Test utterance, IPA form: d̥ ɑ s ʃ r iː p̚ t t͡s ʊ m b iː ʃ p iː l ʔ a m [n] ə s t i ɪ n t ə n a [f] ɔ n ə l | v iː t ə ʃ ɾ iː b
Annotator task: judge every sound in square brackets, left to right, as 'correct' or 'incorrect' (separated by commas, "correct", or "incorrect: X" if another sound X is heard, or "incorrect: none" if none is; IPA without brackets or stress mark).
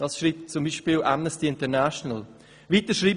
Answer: correct, incorrect: ʃ